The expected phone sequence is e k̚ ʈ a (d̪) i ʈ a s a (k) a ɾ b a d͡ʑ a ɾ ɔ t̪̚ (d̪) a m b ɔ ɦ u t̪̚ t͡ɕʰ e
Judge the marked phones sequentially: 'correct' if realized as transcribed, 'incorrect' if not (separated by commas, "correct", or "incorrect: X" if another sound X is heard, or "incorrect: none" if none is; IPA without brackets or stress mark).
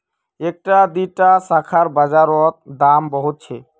correct, incorrect: kʰ, correct